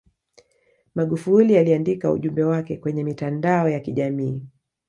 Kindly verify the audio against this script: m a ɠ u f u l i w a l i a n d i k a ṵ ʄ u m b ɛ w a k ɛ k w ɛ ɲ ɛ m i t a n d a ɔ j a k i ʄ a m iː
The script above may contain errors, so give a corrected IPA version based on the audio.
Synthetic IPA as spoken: m a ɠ u f u l i a l i a n d i k a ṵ ʄ u m b ɛ w a k ɛ k w ɛ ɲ ɛ m i t a n d a ɔ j a k i ʄ a m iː